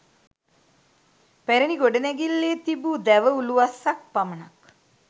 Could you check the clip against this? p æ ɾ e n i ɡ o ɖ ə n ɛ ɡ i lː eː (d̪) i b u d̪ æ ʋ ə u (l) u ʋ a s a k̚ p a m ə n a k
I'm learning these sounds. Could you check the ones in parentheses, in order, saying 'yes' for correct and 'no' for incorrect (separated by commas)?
no, yes